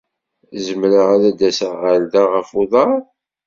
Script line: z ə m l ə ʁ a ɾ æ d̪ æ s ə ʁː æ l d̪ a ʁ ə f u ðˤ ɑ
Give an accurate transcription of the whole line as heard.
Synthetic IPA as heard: z ə m ɾ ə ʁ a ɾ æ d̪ æ s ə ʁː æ l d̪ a ʁ ə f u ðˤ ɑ